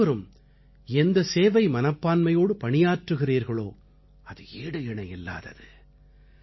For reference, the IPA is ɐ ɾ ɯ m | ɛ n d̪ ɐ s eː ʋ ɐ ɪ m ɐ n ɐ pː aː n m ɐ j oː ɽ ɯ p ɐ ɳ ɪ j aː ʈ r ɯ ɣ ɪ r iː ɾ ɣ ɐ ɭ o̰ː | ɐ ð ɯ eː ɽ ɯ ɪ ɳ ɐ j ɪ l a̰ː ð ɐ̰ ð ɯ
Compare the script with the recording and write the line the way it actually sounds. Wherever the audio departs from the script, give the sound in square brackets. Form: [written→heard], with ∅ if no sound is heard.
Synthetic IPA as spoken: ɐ ɾ ɯ m | ɛ n d̪ ɐ s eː ʋ ɐ ɪ m ɐ n ɐ pː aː n m ɐ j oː ɽ ɯ p ɐ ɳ ɪ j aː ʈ r ɯ ɣ ɪ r iː ɾ ɣ ɐ ɭ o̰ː | ɐ ð ɯ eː ɽ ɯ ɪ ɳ ɐ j ɪ [l→lː] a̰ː ð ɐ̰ ð ɯ